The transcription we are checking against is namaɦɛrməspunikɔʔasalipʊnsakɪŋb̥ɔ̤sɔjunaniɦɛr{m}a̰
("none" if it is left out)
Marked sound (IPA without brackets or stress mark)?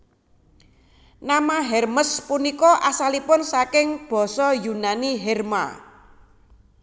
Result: m